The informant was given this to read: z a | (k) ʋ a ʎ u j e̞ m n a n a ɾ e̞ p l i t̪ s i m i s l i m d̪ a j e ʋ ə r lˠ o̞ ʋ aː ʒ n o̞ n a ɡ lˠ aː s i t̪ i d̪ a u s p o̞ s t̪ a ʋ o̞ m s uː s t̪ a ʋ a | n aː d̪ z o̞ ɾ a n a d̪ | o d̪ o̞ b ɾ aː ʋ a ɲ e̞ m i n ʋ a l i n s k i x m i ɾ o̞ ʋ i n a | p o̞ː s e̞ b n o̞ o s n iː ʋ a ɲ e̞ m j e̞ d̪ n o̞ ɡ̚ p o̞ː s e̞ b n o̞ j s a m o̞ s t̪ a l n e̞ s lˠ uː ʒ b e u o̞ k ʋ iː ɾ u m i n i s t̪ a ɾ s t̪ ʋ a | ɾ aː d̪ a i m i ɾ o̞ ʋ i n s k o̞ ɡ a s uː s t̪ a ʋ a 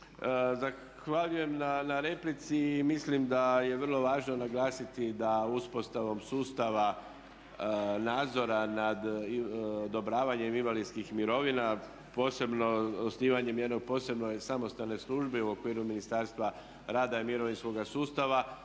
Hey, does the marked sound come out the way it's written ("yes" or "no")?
no